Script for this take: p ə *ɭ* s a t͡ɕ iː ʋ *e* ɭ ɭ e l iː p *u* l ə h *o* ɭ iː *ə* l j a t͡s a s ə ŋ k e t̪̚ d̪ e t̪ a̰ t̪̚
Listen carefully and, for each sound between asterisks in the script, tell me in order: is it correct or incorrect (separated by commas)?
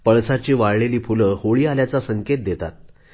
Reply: correct, incorrect, correct, correct, incorrect